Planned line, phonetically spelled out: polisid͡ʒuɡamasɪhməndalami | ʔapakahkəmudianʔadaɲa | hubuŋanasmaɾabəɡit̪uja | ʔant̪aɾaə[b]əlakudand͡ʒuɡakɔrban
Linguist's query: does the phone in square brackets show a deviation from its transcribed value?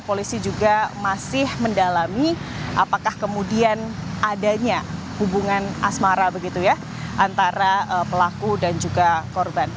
yes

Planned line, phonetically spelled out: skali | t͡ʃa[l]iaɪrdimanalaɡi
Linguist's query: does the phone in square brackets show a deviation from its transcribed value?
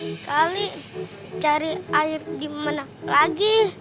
yes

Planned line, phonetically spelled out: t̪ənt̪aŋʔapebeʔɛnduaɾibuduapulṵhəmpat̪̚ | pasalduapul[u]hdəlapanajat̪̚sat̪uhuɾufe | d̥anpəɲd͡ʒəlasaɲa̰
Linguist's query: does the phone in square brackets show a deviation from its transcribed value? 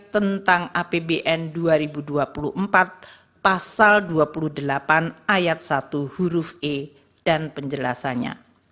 no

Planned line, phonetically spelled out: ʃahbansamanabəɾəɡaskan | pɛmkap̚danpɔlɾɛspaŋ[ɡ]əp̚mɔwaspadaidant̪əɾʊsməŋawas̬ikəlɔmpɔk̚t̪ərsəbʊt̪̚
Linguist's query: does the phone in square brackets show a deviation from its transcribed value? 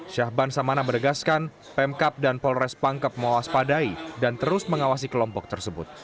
yes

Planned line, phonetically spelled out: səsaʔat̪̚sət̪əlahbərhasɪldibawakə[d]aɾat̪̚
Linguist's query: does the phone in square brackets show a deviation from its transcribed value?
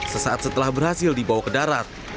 no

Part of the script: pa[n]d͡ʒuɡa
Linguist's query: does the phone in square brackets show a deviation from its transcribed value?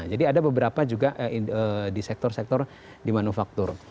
yes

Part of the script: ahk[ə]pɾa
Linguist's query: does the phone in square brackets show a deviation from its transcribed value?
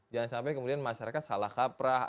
yes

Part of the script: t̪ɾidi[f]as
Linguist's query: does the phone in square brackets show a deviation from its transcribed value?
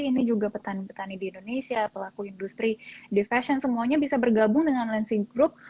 no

